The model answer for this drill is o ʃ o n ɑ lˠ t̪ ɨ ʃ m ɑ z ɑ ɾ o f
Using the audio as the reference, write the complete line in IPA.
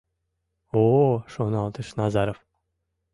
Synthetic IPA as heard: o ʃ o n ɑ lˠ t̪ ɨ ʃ n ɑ z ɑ ɾ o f